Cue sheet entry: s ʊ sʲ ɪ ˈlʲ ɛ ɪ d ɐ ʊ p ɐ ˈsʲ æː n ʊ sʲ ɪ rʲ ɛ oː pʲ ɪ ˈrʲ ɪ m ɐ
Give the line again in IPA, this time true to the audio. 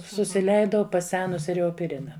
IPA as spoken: s ʊ sʲ ɪ ˈlʲ ɛ ɪ d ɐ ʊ p ɐ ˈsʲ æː n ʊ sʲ ɪ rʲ ɛ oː pʲ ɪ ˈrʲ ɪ n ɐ